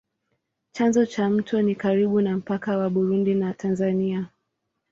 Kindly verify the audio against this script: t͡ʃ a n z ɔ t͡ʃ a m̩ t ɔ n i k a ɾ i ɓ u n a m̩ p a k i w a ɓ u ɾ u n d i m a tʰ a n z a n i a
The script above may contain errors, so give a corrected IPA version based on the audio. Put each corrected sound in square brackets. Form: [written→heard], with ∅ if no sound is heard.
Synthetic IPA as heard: t͡ʃ a n z ɔ t͡ʃ a m̩ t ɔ n i k a ɾ i ɓ u n a m̩ p a k [i→a] w a ɓ u ɾ u n d i [m→n] a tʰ a n z a n i a